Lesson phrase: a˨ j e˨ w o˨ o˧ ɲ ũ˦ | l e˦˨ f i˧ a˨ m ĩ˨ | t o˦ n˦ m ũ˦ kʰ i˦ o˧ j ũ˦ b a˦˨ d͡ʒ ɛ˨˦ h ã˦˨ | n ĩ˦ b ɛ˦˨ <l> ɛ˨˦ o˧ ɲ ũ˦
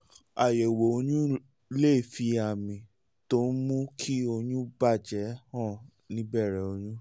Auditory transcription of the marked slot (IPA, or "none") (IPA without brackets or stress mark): ɾ